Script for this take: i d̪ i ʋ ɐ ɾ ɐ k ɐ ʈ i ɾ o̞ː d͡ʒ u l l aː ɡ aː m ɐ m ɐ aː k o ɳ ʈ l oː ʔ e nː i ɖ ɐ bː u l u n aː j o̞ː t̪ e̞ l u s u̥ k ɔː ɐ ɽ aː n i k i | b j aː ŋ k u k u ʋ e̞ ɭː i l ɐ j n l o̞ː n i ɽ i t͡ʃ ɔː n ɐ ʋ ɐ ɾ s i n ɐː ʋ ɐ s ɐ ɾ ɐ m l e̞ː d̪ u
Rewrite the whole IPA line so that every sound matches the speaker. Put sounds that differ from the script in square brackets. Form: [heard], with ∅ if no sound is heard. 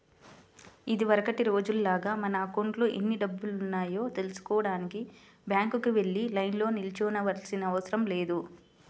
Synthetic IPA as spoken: i d̪ i ʋ ɐ ɾ ɐ k ɐ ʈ i ɾ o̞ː d͡ʒ u l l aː ɡ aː m ɐ [n] ɐ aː k o ɳ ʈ l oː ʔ e nː i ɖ ɐ bː u l u [nː] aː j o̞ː t̪ e̞ l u s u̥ k ɔː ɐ ɽ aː n i k i | b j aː ŋ k u k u ʋ e̞ ɭː i l ɐ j n l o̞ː n i [l] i t͡ʃ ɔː n ɐ ʋ ɐ ɾ s i n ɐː ʋ ɐ s ɐ ɾ ɐ m l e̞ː d̪ u

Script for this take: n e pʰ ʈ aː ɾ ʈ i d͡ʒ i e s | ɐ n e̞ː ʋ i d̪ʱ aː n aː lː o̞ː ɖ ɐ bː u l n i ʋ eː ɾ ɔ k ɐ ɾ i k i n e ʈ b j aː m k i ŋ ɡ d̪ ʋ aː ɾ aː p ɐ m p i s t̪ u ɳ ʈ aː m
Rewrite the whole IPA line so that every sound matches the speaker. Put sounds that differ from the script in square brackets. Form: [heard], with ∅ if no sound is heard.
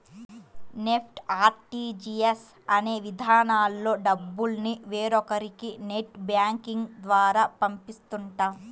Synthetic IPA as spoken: n e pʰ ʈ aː ɾ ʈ i d͡ʒ i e s | ɐ n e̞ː ʋ i d̪ʱ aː n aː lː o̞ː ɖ ɐ bː u l n i ʋ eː ɾ ɔ k ɐ ɾ i k i n e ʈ b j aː [ŋ] k i ŋ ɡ d̪ ʋ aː ɾ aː p ɐ m p i s t̪ u ɳ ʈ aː m

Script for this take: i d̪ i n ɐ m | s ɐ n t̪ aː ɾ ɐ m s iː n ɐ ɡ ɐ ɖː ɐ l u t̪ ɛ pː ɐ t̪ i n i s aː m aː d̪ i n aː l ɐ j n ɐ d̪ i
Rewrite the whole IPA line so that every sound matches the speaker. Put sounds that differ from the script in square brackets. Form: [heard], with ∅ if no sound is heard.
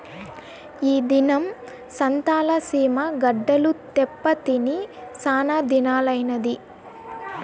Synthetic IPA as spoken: [iː] d̪ i n ɐ m | s ɐ n t̪ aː [l] ɐ [∅] s iː [m] ɐ ɡ ɐ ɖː ɐ l u t̪ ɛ pː ɐ t̪ i n i s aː [n] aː d̪ i n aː l ɐ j n ɐ d̪ i

